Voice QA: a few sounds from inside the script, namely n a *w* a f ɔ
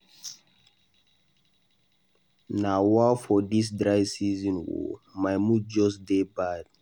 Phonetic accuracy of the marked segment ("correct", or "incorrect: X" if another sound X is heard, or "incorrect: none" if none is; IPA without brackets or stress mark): correct